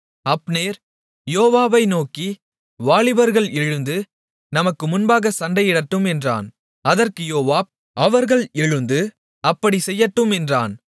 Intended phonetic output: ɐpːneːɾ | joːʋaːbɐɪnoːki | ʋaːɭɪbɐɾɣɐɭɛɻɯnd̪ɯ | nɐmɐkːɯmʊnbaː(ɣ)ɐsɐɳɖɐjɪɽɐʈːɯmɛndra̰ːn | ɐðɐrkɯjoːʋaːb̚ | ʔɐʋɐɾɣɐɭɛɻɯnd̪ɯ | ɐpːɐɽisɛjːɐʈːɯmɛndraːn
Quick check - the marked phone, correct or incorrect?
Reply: correct